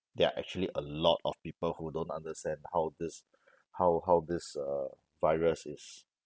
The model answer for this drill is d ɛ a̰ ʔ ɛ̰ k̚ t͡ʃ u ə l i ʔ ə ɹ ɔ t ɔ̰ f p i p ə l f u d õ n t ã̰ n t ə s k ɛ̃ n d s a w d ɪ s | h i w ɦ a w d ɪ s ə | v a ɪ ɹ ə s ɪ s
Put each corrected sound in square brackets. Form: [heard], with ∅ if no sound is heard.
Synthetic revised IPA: d ɛ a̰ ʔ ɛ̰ k̚ t͡ʃ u ə l i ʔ ə [l] ɔ t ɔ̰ f p i p ə l [h] u d õ n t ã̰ n [d] ə s [t] ɛ̃ n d [h] a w d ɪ s | h [a] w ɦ a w d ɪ s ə | v a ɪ ɹ ə s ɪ s